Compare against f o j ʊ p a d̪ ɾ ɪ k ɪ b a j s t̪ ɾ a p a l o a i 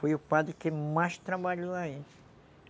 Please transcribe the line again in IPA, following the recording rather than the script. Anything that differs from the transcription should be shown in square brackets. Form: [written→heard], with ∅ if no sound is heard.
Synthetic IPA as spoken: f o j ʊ p a d̪ ɾ ɪ k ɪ [b→m] a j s t̪ ɾ a [p→b] a [l→ʎ] o a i